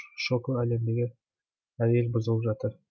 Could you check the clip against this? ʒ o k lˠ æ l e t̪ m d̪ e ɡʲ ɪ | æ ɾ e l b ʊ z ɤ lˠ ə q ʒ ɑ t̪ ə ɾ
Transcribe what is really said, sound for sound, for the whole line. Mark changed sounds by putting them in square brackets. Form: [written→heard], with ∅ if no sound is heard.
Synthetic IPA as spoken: [ʒ→ʃ] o k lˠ æ l e [t̪→∅] m d̪ e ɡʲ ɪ | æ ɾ e l b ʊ z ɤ lˠ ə [q→p] ʒ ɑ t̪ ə ɾ